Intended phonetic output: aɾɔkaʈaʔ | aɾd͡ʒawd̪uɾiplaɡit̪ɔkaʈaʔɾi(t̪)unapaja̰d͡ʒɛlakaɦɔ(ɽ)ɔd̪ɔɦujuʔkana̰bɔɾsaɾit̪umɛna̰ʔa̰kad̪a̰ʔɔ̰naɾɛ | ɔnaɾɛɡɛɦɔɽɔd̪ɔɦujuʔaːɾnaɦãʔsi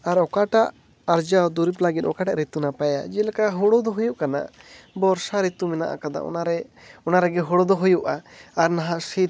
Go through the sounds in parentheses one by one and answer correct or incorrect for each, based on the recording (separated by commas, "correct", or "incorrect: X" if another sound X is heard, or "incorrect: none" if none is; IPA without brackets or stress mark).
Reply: correct, correct